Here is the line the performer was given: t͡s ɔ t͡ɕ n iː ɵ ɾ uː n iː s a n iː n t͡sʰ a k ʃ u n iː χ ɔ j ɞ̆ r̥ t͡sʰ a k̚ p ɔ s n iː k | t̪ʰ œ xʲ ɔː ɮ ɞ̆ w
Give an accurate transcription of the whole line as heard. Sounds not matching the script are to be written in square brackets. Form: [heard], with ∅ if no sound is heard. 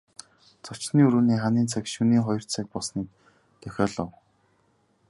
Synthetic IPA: t͡s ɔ t͡ɕ n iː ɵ ɾ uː n iː [χ] a n iː n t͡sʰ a k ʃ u n iː χ ɔ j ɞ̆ r̥ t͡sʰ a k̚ p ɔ s n iː k | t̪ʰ œ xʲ ɔː ɮ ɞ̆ w